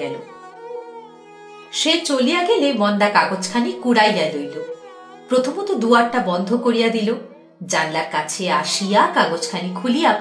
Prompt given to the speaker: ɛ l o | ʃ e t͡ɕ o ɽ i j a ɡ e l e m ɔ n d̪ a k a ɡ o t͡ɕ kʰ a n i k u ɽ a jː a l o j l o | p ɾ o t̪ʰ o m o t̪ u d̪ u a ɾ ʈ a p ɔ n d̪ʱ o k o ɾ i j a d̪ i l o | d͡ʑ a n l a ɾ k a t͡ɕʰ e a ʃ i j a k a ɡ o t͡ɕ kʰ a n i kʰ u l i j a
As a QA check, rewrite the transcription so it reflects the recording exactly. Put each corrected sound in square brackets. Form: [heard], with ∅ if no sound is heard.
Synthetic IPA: ɛ l o | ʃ e t͡ɕ o [l] i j a ɡ e l e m ɔ n d̪ a k a ɡ o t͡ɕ kʰ a n i k u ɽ a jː a l o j l o | p ɾ o t̪ʰ o m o t̪ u d̪ u a ɾ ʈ a [b] ɔ n d̪ʱ o k o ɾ i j a d̪ i l o | d͡ʑ a n l a ɾ k a t͡ɕʰ e a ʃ i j a k a ɡ o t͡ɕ kʰ a n i kʰ u l i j a